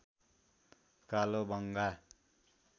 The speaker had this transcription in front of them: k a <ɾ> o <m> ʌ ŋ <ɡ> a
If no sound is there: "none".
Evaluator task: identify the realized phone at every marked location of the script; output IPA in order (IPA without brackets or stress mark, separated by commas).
l, b, ɡ